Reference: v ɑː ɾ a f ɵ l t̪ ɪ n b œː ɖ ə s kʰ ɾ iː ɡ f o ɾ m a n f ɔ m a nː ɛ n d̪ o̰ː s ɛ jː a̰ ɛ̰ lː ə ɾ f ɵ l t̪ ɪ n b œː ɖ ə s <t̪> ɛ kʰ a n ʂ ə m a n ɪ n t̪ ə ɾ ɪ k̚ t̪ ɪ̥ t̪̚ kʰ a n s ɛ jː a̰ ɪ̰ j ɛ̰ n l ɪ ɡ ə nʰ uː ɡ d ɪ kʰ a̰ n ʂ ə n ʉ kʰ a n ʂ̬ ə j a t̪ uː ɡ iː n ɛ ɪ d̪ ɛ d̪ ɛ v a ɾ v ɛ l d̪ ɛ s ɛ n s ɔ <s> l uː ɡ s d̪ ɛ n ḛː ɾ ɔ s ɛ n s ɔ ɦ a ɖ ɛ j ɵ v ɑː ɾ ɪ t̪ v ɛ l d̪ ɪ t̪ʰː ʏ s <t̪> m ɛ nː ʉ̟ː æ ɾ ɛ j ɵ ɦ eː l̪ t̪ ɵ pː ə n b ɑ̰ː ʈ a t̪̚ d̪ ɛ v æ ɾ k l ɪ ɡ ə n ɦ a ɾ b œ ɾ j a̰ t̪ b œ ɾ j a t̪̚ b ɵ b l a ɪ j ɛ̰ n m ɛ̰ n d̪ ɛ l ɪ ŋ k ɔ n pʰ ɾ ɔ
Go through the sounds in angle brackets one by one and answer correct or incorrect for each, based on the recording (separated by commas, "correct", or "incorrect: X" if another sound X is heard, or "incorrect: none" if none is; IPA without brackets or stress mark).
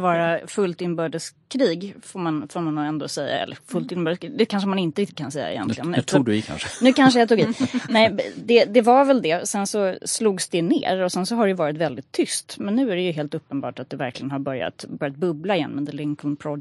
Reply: incorrect: d̪, correct, correct